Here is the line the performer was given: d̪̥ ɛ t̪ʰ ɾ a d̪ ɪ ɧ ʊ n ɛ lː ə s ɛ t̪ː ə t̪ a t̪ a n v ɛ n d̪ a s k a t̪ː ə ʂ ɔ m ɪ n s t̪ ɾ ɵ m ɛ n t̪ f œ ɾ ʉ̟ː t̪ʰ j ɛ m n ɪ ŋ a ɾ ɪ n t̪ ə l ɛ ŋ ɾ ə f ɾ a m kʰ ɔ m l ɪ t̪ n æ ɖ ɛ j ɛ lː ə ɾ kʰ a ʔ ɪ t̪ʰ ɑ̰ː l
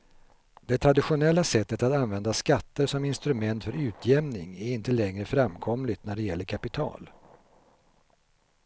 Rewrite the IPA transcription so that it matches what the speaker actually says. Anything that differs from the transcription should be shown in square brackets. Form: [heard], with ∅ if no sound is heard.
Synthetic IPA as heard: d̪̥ ɛ t̪ʰ ɾ a d̪ ɪ ɧ ʊ n ɛ lː [a] s ɛ t̪ː ə t̪ a t̪ a n v ɛ n d̪ a s k a t̪ː ə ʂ ɔ m ɪ n s t̪ ɾ ɵ m ɛ n t̪ f œ ɾ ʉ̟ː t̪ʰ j ɛ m n ɪ ŋ [æ] ɾ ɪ n t̪ ə l ɛ ŋ ɾ ə f ɾ a m kʰ ɔ m l ɪ t̪ n æ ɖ ɛ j ɛ lː ə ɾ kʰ a [p] ɪ t̪ʰ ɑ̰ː l